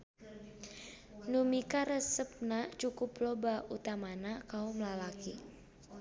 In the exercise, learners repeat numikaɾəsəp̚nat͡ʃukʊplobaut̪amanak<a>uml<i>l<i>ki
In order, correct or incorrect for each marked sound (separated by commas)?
correct, incorrect, incorrect